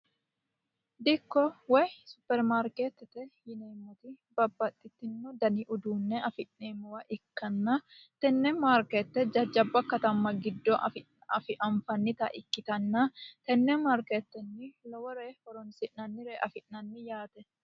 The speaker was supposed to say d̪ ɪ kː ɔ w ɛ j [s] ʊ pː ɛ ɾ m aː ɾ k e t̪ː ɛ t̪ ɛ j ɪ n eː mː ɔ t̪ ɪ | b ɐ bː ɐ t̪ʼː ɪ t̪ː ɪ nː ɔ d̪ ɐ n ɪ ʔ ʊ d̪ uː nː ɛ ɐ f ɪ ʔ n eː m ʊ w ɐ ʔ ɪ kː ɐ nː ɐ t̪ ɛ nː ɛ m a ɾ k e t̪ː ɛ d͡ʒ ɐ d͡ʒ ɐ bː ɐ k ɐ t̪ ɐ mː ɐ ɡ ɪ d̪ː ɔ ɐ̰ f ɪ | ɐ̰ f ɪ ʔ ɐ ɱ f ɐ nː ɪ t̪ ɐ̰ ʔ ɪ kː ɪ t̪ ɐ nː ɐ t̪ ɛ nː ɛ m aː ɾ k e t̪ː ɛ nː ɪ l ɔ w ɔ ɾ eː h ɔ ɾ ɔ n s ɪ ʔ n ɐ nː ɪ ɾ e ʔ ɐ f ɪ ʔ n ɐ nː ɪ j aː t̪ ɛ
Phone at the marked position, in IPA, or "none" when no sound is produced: s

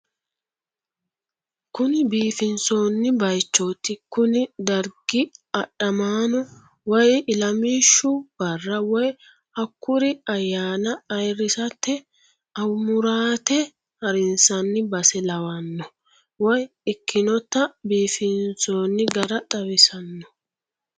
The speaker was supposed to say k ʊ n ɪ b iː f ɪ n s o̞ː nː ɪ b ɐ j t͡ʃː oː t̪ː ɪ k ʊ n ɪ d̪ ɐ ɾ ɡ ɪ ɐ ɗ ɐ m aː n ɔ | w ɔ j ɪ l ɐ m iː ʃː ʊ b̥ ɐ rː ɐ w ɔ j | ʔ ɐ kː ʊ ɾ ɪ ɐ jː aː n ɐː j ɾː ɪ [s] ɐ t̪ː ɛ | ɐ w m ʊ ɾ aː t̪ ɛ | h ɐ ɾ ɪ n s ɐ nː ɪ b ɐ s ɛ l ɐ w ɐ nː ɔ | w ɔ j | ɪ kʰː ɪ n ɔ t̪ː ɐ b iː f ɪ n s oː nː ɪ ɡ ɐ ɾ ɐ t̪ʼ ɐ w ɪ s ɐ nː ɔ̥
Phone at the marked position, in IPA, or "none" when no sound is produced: s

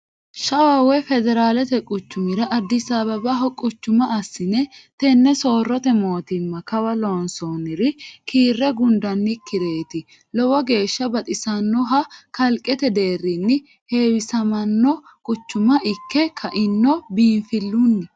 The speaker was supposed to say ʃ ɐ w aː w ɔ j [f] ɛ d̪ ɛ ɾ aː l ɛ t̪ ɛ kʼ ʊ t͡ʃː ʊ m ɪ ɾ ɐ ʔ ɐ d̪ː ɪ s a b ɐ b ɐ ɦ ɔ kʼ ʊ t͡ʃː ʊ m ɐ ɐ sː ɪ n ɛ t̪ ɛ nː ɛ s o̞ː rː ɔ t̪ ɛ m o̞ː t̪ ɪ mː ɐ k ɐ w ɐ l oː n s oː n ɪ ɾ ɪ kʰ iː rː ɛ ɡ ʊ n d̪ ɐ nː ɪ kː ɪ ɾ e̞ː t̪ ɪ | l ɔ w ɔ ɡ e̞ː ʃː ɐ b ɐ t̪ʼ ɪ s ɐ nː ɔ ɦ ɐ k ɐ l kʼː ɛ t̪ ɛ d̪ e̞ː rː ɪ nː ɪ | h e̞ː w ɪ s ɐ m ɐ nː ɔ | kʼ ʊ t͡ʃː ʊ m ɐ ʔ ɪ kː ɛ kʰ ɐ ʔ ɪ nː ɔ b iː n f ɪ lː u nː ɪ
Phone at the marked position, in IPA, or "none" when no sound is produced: f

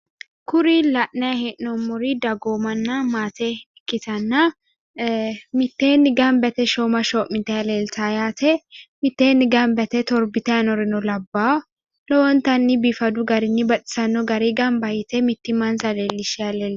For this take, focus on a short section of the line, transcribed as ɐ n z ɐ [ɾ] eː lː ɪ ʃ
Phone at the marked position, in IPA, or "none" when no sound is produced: l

